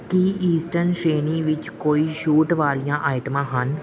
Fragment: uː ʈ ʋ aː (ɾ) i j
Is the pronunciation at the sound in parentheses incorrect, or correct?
incorrect